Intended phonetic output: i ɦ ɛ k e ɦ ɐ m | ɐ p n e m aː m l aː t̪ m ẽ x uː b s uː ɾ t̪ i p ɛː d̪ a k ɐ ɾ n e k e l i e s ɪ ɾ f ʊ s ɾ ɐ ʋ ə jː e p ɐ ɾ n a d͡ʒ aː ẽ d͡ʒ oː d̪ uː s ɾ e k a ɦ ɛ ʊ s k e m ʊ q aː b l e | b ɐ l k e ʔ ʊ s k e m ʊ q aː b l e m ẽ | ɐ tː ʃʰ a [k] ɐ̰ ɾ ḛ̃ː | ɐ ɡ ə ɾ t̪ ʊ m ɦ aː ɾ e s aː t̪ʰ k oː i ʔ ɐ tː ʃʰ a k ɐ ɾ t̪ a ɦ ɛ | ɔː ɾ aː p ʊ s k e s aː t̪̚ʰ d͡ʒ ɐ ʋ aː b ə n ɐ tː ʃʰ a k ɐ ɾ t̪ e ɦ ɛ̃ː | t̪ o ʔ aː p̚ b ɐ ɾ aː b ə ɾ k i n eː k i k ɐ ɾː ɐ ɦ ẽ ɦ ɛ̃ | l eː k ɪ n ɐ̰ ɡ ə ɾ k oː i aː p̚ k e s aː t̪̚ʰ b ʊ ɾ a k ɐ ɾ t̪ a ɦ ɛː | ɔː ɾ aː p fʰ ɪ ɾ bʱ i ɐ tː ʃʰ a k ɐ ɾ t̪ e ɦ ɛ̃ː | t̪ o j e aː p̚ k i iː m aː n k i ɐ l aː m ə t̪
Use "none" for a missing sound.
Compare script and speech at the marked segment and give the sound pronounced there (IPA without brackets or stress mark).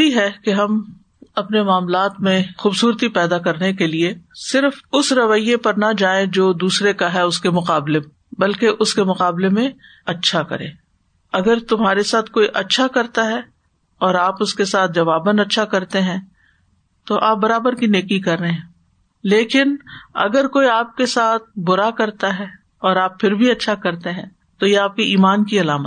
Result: k